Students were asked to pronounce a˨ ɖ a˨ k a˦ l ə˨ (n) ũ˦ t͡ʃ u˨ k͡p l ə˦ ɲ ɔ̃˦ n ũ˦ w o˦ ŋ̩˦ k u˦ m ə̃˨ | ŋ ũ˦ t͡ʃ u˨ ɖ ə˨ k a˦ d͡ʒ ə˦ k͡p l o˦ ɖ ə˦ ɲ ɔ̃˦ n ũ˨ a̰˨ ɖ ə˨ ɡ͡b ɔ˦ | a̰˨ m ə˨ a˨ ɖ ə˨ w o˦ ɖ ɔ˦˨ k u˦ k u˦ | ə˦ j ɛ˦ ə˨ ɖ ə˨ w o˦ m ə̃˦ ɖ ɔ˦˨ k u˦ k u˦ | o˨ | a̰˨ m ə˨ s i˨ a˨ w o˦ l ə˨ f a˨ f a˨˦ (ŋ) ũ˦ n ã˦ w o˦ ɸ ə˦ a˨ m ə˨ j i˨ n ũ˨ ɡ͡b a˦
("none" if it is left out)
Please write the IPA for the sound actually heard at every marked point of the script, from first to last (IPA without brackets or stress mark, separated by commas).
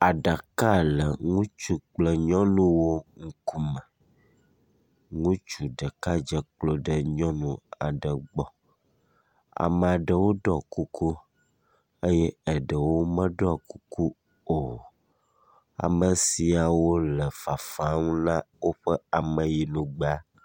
ŋ, ŋ